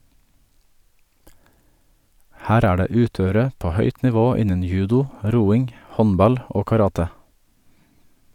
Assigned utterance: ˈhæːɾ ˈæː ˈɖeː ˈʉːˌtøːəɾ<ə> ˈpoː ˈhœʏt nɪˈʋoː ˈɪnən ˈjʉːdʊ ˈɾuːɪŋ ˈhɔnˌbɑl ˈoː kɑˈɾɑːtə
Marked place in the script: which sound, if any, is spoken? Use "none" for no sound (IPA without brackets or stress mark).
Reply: ə